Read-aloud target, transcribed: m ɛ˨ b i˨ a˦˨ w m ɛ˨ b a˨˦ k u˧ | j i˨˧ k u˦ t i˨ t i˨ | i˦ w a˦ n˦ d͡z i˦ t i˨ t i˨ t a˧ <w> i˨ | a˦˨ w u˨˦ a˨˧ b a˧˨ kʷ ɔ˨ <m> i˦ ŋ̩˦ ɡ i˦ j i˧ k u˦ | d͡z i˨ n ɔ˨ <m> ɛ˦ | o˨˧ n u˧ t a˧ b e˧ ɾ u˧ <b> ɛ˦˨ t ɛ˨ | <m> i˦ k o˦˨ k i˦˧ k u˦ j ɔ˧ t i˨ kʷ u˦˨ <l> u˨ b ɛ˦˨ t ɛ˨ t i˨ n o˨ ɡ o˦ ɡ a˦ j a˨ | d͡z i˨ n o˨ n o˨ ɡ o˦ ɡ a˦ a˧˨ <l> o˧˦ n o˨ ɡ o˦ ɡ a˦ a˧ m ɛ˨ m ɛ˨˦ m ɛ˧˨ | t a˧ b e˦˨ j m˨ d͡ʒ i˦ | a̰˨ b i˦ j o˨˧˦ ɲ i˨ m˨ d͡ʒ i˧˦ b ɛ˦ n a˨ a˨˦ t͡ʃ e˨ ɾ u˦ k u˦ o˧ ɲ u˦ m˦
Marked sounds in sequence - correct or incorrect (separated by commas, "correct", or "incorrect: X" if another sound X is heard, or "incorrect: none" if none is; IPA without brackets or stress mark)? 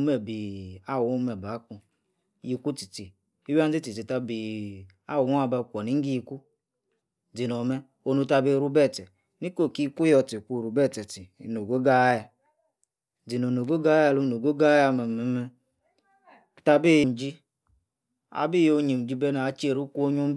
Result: incorrect: b, incorrect: n, correct, correct, incorrect: n, incorrect: ɾ, correct